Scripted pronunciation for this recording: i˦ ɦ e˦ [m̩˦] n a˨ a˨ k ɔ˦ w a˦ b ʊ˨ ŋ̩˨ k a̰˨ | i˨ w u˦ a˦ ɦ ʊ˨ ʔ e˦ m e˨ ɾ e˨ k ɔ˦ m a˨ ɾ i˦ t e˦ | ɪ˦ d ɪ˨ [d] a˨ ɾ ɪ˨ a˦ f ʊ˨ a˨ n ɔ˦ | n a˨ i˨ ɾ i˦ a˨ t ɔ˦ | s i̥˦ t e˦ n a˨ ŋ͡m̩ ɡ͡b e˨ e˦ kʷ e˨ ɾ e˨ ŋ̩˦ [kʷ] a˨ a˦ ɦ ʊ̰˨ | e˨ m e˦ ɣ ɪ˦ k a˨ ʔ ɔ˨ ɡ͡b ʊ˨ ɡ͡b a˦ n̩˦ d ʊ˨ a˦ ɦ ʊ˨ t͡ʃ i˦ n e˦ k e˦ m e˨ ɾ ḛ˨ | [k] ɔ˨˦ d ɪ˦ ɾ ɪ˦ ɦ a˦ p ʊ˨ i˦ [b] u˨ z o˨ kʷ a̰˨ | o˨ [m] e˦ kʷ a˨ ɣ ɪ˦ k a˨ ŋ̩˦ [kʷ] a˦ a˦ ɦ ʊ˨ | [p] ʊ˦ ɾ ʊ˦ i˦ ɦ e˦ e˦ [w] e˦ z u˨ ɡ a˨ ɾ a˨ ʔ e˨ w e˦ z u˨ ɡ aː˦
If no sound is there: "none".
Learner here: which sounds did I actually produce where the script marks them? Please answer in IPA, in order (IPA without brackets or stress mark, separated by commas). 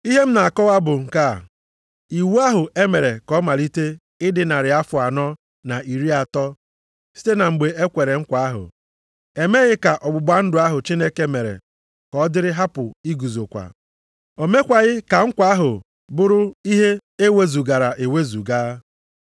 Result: m̩˦, n, kʷ, k, ɡ, m, kʷ, b, w